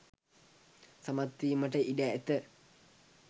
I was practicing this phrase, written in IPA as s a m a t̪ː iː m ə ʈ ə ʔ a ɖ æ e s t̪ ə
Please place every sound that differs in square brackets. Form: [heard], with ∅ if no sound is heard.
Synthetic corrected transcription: s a m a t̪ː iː m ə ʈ ə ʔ [i] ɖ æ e [∅] t̪ ə